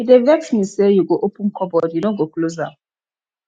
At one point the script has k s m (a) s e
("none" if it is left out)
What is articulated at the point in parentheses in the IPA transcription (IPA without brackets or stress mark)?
i